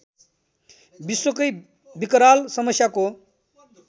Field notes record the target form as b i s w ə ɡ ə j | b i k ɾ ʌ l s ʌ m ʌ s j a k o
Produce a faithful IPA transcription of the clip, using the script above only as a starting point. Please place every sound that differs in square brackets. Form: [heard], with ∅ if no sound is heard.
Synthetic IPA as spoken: b i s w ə [k] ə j | b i k ɾ [a] l s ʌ m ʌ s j a k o